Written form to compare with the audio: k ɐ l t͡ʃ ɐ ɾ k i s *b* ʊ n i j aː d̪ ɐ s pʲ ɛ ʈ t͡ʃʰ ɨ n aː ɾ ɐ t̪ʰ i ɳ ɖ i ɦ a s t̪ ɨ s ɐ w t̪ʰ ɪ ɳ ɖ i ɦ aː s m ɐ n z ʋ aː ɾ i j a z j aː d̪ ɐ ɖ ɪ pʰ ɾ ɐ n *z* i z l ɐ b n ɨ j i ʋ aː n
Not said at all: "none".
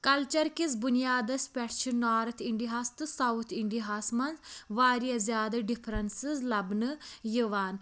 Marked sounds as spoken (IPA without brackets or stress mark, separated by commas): b, s